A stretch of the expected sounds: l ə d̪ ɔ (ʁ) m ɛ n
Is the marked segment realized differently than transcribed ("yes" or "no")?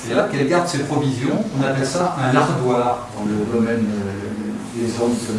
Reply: yes